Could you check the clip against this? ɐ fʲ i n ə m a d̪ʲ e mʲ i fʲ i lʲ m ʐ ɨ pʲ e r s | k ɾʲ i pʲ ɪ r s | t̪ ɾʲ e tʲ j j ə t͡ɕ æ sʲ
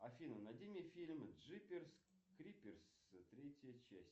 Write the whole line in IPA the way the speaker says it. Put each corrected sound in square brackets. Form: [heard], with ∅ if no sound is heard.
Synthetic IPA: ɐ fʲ i n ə [n] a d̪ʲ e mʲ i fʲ i lʲ m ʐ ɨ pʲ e r s | k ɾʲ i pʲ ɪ r s | t̪ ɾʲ e tʲ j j ə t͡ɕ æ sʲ